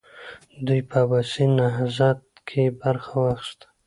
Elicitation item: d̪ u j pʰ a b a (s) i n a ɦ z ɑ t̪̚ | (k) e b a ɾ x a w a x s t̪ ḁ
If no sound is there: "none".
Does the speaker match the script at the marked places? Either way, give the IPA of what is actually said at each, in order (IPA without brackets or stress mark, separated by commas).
s, kʰ